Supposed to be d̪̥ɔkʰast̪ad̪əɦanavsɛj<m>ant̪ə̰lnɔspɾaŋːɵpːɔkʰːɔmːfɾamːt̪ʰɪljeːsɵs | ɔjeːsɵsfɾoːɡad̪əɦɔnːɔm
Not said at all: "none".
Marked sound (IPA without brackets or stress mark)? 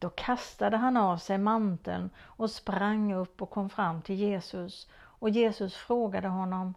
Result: m